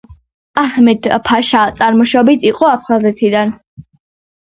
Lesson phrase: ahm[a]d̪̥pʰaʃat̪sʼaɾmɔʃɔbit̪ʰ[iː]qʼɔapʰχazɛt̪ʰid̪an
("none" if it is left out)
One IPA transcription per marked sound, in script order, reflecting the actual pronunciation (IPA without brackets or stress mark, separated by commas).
ɛ, i